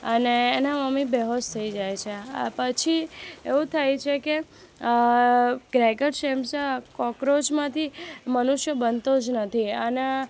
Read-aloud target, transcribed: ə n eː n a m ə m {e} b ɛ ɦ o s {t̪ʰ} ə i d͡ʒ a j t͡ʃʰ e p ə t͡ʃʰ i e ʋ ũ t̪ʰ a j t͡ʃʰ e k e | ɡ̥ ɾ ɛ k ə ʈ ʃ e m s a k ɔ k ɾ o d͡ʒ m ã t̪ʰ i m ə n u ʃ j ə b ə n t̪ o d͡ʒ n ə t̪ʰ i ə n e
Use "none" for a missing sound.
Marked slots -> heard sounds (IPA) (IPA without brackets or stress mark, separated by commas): i, t̪ʰ